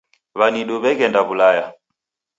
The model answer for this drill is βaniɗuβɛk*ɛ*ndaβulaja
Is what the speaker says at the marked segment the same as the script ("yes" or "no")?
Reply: yes